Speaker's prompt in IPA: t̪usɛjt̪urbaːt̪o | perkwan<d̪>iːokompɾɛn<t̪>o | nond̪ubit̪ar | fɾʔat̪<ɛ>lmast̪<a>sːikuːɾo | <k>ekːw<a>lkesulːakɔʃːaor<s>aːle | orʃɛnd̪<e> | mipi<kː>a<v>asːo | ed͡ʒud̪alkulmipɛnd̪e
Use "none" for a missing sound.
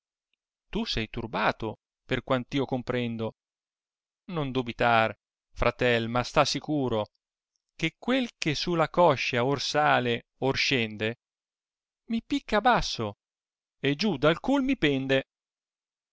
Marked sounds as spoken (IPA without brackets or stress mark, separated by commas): t̪, d̪, ɛ, a, k, e, s, e, kː, b